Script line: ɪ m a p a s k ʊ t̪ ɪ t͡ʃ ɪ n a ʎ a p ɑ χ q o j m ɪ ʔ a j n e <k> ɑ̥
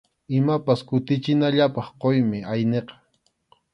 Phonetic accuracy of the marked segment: incorrect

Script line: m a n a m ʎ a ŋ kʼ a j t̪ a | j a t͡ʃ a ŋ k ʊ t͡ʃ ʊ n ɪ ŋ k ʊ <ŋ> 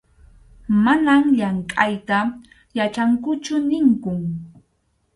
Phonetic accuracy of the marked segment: correct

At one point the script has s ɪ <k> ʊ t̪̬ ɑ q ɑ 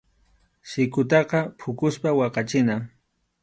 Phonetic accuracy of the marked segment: correct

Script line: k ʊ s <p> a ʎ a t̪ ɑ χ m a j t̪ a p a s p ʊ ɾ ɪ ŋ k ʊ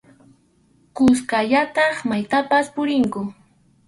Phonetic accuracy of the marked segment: incorrect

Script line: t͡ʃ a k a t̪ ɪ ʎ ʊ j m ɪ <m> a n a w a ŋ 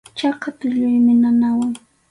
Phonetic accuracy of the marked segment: incorrect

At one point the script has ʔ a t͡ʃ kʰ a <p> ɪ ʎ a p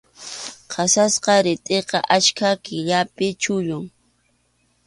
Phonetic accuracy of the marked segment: incorrect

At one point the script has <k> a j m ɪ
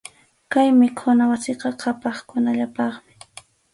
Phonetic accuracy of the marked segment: correct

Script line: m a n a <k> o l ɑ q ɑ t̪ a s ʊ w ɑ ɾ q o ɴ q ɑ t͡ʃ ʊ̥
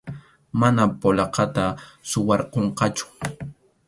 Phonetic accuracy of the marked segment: incorrect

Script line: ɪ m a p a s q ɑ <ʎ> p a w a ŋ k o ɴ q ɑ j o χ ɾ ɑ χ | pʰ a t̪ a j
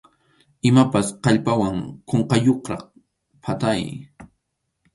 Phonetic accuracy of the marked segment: correct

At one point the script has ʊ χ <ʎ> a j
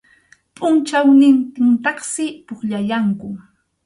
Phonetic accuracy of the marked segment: correct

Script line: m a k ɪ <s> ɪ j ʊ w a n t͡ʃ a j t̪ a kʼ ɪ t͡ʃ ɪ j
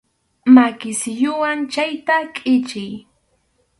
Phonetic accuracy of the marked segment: correct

